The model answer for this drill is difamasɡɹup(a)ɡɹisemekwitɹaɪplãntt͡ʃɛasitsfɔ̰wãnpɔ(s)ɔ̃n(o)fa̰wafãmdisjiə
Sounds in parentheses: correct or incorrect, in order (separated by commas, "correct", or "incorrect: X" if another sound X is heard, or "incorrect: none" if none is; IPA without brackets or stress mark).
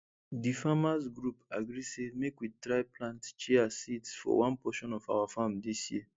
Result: correct, incorrect: ʃ, incorrect: ɔ